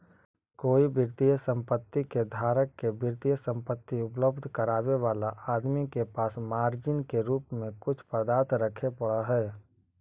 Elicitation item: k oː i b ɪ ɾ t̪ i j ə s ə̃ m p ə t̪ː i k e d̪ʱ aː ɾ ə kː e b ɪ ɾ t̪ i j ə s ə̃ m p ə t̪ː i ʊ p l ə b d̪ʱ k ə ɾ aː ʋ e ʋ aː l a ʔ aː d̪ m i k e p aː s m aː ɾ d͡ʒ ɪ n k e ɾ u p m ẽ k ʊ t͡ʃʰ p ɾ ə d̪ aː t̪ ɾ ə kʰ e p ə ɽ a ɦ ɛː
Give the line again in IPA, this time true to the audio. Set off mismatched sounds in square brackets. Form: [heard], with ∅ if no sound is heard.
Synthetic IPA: k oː i b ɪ ɾ t̪ i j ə s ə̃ m p ə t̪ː i k e d̪ʱ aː ɾ ə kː e b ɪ ɾ t̪ i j ə s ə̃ m p ə t̪ː i ʊ p l ə b d̪ʱ k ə ɾ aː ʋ e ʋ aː l a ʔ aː d̪ m i k e p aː s m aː ɾ d͡ʒ ɪ n k e ɾ [uː] p m ẽ k ʊ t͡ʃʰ p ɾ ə d̪ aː t̪ ɾ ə kʰ e p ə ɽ a ɦ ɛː